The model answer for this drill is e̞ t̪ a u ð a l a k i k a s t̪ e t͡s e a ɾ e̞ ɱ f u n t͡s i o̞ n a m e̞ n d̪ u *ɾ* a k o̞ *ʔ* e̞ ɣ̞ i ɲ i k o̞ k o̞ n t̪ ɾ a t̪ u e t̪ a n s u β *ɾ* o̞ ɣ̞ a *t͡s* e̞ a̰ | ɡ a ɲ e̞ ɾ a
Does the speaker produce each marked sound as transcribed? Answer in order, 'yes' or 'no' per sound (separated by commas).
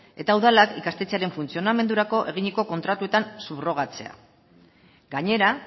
yes, yes, no, yes